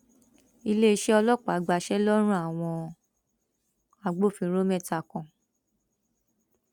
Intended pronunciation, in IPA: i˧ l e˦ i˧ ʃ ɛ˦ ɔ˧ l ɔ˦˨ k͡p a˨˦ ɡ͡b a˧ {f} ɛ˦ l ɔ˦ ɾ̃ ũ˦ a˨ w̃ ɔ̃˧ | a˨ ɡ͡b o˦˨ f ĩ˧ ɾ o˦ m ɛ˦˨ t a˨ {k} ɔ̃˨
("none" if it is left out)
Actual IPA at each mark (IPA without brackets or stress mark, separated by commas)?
ʃ, k